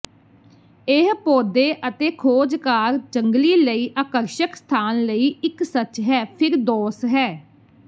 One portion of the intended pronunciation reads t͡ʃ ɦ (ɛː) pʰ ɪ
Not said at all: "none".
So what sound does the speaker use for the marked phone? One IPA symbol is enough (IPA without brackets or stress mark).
ɛː